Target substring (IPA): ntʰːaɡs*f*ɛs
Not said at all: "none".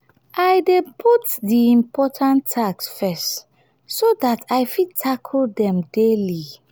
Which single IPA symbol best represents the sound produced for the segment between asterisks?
f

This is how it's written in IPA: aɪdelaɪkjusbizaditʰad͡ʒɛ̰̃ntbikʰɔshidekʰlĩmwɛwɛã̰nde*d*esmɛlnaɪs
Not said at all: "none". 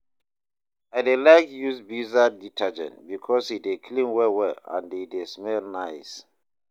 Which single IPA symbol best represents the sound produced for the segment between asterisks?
d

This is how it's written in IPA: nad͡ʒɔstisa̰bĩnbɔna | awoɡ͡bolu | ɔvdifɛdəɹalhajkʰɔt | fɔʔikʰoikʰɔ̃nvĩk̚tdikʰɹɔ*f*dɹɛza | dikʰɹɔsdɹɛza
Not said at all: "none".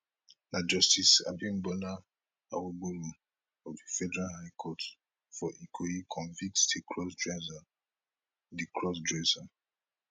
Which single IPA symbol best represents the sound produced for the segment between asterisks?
s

